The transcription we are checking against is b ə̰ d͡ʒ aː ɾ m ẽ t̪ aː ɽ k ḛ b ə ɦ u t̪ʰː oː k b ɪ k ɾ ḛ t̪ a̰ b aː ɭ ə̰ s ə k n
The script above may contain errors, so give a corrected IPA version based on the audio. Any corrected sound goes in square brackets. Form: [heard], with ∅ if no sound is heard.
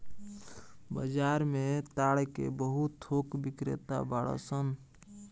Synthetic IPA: b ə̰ d͡ʒ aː ɾ m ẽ t̪ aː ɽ k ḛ b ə ɦ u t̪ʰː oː k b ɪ k ɾ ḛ t̪ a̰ b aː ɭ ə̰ s ə [∅] n

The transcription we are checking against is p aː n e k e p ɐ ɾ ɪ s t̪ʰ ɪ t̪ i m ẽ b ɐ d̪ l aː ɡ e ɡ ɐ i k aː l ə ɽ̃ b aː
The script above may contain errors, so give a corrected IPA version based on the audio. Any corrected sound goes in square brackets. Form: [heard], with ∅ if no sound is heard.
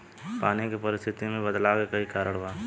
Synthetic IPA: p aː n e k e p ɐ ɾ ɪ s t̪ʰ ɪ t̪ i m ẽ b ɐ d̪ l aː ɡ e [k] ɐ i k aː [ɾ] ə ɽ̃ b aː

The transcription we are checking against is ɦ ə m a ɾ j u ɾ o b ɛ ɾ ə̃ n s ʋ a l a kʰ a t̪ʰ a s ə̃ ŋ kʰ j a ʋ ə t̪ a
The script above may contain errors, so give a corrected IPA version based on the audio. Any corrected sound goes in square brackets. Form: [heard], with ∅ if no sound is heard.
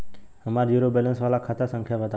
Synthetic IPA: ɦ ə m a ɾ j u ɾ o b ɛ [l] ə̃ n s ʋ a l a kʰ a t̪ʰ a s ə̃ ŋ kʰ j a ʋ ə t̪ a

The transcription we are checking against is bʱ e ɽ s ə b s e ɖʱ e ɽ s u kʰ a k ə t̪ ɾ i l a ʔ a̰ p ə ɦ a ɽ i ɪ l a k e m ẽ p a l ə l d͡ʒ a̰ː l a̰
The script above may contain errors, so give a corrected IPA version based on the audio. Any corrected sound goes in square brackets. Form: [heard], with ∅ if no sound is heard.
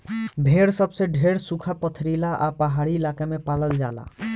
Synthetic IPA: bʱ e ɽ s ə b s e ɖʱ e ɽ s u kʰ a [p] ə [t̪ʰ] ɾ i l a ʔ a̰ p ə ɦ a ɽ i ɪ l a k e m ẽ p a l ə l d͡ʒ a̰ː l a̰

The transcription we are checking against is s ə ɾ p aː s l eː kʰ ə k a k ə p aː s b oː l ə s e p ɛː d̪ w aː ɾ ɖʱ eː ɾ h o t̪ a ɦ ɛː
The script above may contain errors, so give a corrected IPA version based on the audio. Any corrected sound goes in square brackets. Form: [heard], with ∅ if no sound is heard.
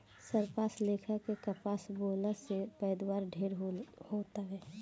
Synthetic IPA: s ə ɾ p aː s l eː kʰ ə k [e] k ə p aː s b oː l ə s e p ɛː d̪ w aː ɾ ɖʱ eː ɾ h o t̪ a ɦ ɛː

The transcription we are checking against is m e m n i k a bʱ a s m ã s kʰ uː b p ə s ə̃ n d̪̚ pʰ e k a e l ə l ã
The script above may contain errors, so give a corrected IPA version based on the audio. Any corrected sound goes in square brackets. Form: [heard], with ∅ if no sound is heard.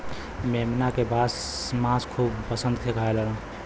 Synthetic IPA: m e m n [a] k [e] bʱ a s m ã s kʰ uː b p ə s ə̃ n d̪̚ [kʰ] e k a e l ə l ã

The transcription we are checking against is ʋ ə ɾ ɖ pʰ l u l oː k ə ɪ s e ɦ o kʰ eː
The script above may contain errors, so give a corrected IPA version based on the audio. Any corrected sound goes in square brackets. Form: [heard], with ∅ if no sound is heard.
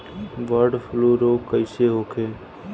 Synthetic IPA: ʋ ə ɾ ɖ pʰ l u [ɾ] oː k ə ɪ s e ɦ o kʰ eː

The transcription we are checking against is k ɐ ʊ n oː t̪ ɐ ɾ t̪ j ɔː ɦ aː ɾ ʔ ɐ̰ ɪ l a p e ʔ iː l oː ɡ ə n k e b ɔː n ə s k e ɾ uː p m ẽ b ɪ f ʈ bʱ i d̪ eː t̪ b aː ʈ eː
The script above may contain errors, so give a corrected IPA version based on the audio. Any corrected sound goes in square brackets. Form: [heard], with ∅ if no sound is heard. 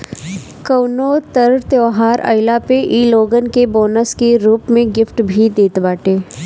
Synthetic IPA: k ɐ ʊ n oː t̪ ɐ ɾ t̪ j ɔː ɦ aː ɾ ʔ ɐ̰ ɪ l a p e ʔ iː l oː ɡ ə n k e b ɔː n ə s k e ɾ uː p m ẽ [ɡ] ɪ f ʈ bʱ i d̪ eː t̪ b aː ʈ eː

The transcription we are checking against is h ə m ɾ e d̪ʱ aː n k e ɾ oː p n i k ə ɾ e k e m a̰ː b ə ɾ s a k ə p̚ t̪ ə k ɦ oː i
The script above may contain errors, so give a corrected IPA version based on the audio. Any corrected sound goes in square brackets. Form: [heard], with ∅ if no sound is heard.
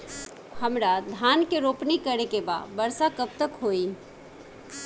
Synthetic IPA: h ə m ɾ [a] d̪ʱ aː n k e ɾ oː p n i k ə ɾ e k e [b] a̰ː b ə ɾ s a k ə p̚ t̪ ə k ɦ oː i

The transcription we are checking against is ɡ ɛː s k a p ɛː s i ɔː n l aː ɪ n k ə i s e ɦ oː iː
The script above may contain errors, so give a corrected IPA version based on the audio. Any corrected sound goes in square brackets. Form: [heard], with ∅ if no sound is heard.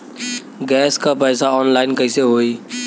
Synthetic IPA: ɡ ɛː s k a p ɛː s [a] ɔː n l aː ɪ n k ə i s e ɦ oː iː

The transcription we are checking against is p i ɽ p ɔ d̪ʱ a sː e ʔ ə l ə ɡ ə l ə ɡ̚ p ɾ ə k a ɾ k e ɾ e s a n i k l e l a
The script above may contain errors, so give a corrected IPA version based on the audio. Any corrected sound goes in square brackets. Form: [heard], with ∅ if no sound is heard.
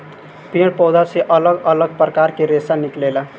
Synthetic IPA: p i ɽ p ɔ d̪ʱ a [s] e ʔ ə l ə ɡ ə l ə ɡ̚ p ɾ ə k a ɾ k e ɾ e s a n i k l e l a

